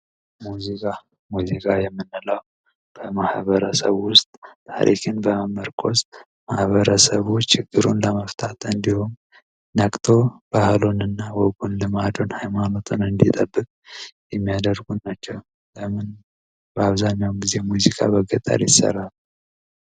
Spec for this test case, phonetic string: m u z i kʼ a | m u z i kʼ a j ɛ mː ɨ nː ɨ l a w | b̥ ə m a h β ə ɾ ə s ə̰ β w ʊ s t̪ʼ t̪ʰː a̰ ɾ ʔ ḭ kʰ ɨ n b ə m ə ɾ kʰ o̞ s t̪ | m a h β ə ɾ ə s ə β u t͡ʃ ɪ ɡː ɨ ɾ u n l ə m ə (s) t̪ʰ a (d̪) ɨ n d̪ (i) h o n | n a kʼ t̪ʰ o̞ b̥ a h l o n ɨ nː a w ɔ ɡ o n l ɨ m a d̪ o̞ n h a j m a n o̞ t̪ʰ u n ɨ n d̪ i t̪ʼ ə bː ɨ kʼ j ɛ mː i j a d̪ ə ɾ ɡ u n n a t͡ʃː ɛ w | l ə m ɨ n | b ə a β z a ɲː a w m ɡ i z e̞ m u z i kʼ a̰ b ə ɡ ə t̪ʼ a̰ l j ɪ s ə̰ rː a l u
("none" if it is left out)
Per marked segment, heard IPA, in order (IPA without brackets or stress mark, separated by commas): f, t̪, i